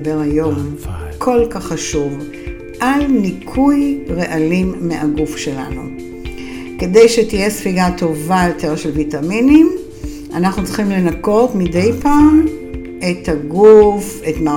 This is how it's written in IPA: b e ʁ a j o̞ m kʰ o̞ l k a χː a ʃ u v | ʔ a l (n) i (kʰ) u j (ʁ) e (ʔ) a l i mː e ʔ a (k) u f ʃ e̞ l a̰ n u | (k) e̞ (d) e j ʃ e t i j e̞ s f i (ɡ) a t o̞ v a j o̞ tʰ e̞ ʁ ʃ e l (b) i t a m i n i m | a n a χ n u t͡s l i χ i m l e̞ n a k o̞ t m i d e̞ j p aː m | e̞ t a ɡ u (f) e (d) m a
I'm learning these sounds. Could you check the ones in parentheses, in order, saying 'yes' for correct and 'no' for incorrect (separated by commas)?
yes, yes, yes, yes, no, yes, yes, yes, no, yes, no